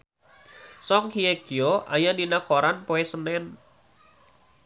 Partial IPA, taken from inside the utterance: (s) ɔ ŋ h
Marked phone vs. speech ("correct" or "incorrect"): correct